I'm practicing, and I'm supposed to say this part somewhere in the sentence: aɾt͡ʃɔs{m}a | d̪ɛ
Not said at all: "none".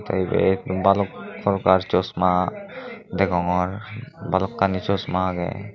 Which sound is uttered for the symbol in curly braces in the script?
m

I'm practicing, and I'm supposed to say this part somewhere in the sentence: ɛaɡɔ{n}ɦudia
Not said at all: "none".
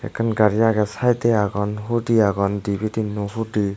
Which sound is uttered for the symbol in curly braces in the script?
n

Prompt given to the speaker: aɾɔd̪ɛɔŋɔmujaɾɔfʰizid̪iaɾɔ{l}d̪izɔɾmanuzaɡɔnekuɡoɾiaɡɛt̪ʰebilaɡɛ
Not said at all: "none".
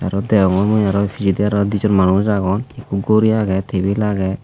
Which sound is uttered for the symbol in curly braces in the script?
none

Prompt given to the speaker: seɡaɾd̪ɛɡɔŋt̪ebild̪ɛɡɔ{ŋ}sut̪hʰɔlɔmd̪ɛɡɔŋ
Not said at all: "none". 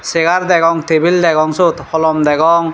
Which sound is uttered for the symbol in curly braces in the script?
ŋ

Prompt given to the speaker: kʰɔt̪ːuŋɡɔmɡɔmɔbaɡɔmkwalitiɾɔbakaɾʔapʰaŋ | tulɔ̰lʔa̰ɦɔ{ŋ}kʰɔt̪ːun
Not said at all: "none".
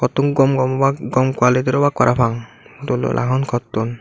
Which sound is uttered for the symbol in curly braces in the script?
n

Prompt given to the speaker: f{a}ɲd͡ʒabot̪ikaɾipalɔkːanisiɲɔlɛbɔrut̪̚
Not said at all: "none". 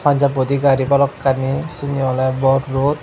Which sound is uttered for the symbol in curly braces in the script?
a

